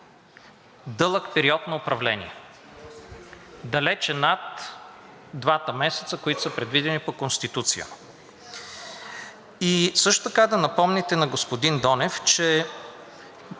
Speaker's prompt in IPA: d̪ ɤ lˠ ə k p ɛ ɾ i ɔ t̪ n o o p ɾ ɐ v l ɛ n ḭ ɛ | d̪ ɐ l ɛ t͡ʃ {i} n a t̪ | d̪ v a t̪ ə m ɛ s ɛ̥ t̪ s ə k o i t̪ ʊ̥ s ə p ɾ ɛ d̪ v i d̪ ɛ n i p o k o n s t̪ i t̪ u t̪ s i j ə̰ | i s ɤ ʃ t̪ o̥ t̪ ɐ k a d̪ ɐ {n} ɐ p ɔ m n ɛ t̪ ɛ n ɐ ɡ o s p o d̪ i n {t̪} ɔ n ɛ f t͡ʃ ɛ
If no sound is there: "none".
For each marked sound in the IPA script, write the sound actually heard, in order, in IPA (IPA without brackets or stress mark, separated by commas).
ɛ, n, d̪